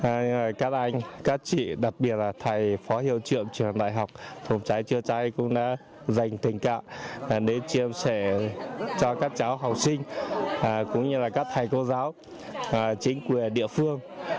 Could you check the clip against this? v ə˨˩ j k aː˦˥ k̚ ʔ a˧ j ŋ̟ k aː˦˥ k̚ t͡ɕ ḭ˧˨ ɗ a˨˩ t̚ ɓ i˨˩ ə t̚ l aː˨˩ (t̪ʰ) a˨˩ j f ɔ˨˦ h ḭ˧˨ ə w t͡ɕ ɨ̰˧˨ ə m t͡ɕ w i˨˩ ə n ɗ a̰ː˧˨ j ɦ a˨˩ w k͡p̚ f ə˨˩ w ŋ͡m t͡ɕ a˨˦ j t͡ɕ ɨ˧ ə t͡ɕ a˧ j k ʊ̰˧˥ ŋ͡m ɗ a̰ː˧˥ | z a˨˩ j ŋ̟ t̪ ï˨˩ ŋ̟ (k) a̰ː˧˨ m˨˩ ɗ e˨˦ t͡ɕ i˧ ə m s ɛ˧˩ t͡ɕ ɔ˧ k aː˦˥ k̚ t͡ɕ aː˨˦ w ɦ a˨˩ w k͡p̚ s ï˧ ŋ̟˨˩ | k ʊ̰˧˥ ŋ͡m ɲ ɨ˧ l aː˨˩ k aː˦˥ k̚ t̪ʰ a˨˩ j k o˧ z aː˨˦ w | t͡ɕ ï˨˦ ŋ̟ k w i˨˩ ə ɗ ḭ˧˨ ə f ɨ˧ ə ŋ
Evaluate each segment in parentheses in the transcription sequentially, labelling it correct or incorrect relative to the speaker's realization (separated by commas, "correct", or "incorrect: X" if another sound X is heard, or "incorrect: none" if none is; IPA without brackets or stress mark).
correct, correct